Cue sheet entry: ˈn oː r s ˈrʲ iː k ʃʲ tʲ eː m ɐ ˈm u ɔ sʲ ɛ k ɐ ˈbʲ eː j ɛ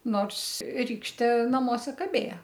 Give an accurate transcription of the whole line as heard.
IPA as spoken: ˈn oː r s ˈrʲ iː k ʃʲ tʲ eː n ɐ ˈm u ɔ sʲ ɛ k ɐ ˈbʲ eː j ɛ